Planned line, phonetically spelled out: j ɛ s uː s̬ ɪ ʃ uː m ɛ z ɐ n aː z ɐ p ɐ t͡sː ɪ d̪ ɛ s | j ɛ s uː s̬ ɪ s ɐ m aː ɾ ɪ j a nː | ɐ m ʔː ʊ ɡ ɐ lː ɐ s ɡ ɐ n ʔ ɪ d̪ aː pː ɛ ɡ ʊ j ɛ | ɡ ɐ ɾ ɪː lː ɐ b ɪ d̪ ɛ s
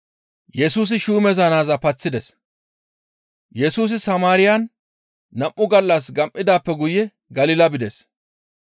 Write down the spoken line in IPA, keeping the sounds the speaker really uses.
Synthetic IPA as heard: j ɛ s uː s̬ ɪ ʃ uː m ɛ z ɐ n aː z ɐ p ɐ t͡sː ɪ d̪ ɛ s | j ɛ s uː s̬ ɪ s ɐ m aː ɾ ɪ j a nː | ɐ m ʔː ʊ ɡ ɐ lː ɐ s ɡ ɐ m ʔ ɪ d̪ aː pː ɛ ɡ ʊ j ɛ | ɡ ɐ l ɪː l ɐ b ɪ d̪ ɛ s